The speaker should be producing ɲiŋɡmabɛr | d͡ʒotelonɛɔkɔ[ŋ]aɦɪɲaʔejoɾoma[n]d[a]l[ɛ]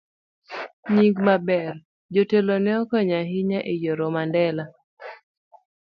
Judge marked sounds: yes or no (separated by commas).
no, yes, no, no